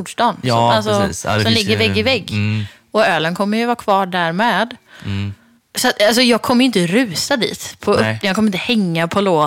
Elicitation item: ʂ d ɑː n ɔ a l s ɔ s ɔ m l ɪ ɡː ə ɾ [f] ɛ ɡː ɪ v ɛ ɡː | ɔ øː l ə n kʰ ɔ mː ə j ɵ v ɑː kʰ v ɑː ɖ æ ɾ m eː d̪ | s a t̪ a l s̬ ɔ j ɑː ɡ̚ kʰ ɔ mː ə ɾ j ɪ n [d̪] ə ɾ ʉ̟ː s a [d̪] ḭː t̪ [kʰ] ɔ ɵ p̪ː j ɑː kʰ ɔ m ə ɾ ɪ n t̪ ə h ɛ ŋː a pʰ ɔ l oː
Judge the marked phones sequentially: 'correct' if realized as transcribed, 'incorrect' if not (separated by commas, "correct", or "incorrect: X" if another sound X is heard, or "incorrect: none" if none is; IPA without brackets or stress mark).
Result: incorrect: v, incorrect: t̪, correct, incorrect: pʰ